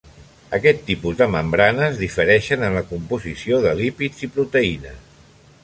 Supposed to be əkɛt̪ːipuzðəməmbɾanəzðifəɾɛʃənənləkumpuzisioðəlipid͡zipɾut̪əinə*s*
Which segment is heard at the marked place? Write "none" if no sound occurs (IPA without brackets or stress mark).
s